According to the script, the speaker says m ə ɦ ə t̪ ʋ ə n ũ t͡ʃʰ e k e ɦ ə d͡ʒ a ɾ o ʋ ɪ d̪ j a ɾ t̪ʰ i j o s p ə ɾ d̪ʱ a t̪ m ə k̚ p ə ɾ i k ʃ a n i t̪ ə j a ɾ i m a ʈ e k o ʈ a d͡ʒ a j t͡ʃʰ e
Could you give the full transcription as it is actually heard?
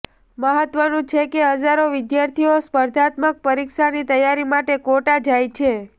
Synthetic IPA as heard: m ə ɦ ə t̪ ʋ ə n ũ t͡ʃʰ e k e ɦ ə d͡ʒ a ɾ o ʋ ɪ d̪ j a ɾ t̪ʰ i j o s p ə ɾ d̪ʱ a t̪ m ə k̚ p ə ɾ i k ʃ a n i t̪ ə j a ɾ i m a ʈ e k o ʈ a d͡ʒ a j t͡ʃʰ e